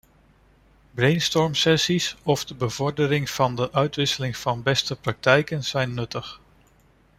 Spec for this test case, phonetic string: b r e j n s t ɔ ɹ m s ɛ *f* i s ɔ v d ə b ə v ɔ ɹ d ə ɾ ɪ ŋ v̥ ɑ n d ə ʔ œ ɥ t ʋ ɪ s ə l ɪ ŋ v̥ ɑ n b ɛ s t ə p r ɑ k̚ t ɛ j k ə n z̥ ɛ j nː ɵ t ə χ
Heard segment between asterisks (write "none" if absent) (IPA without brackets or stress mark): s